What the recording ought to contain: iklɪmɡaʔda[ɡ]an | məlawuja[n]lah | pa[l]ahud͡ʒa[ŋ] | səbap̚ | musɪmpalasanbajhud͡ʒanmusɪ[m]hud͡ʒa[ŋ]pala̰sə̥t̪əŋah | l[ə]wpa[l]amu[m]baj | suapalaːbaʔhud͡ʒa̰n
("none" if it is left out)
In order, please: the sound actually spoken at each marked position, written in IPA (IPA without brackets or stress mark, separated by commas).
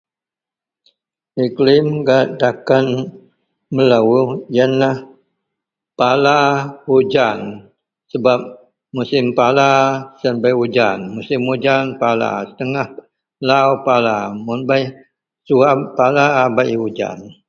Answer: k, n, l, n, m, n, a, l, n